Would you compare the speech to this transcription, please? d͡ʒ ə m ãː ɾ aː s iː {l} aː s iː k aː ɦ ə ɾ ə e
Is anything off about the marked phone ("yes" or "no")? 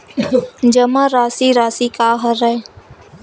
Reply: yes